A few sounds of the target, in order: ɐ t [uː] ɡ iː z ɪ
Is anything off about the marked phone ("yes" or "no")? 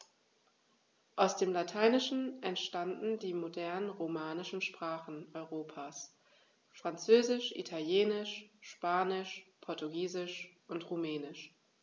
yes